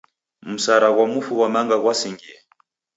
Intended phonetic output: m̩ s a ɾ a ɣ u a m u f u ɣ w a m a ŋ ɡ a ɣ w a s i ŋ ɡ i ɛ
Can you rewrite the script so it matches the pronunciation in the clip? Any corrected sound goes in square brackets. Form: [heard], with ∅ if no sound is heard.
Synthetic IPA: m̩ s a ɾ a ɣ [w] a m u f u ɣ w a m a ŋ ɡ a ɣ w a s i ŋ ɡ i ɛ

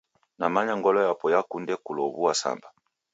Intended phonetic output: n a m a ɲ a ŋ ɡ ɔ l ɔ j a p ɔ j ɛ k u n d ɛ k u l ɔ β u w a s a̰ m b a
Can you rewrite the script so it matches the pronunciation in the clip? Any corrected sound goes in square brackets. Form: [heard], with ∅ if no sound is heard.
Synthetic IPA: n a m a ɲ a ŋ ɡ ɔ l ɔ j a p ɔ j [a] k u n d ɛ k u l ɔ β u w a s a̰ m b a

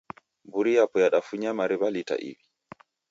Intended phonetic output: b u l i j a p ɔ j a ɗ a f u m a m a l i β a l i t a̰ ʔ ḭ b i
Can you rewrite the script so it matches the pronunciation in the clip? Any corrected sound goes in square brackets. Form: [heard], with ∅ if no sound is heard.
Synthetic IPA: b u [ɾ] i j a p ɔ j a ɗ a f u [ɲ] a m a [ɾ] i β a l i t a̰ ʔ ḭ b i

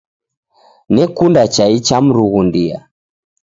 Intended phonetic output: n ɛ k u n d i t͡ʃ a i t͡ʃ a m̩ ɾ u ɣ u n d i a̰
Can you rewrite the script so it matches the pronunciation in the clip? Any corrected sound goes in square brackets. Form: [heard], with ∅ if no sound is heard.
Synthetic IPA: n ɛ k u n d [a] t͡ʃ a i t͡ʃ a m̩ ɾ u ɣ u n d i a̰

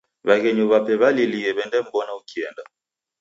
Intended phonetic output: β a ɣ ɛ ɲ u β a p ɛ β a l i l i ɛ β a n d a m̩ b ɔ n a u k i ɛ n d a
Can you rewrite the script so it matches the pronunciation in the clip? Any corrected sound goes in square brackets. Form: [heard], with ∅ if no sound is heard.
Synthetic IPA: β a ɣ ɛ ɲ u β a p ɛ β a l i l i ɛ β [ɛ] n d [ɛ] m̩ b ɔ n a u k i ɛ n d a

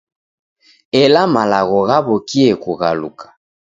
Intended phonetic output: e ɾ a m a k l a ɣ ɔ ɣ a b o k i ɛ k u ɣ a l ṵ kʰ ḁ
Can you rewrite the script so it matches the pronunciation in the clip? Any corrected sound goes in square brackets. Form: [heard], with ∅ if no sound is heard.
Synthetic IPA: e [l] a m a [∅] l a ɣ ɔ ɣ a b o k i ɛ k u ɣ a l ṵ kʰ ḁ

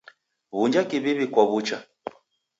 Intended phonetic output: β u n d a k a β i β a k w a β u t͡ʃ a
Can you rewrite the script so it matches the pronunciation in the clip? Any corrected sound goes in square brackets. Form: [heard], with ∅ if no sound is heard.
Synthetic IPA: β u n [d͡ʒ] a k [i] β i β [i] k w a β u t͡ʃ a

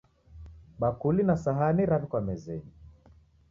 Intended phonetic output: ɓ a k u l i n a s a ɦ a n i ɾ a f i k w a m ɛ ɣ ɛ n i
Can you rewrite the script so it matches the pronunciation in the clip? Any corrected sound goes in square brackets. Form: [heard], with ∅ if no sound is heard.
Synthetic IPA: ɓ a k u l i n a s a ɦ a n i ɾ a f i k w a m ɛ [z] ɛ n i

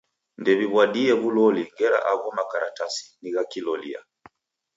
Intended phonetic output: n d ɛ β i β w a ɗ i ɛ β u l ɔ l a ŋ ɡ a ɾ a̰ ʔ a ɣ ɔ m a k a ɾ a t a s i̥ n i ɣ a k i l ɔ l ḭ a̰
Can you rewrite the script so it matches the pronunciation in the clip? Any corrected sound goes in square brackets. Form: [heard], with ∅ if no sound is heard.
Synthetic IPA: n d ɛ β i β w a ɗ i ɛ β u l ɔ l [i] ŋ ɡ [ɛ] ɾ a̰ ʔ a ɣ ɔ m a k a ɾ a t a s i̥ n i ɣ a k i l ɔ l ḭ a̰

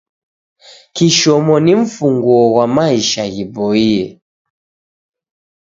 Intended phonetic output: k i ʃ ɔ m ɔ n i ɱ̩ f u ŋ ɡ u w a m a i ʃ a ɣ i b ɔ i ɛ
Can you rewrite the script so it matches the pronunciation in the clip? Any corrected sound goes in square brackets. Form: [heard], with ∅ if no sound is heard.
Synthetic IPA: k i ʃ ɔ m ɔ n i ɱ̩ f u ŋ ɡ [ɔ] w a m a i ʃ a ɣ i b ɔ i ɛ

